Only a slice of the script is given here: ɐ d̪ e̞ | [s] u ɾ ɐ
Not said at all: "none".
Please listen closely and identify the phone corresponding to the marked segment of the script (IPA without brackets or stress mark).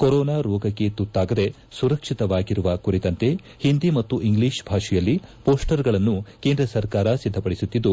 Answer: s